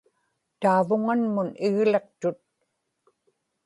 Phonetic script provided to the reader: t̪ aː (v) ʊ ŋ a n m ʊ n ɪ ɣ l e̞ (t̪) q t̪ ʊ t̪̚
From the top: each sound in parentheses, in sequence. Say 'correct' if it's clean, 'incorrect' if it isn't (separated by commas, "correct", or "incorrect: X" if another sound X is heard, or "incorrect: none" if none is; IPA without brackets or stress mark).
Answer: correct, incorrect: none